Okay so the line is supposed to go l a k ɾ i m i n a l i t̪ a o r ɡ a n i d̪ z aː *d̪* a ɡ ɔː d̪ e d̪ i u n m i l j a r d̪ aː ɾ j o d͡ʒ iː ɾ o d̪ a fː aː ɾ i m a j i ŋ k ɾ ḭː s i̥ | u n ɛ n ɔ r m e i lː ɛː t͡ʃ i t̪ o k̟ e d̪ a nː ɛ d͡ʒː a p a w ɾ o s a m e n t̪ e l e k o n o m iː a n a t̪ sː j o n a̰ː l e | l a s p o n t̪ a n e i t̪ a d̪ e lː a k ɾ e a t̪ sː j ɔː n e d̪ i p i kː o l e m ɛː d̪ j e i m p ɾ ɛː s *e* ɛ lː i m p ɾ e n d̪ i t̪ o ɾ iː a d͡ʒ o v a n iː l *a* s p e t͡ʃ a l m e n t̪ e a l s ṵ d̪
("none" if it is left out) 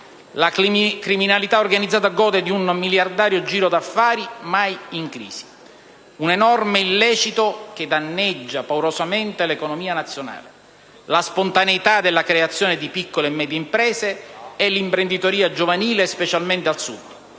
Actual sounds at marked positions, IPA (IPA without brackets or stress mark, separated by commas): t̪, e, e